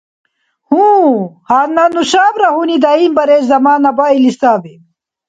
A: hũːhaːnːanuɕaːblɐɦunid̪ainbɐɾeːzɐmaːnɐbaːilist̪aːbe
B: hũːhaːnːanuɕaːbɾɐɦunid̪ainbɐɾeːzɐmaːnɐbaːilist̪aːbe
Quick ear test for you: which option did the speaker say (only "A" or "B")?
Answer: B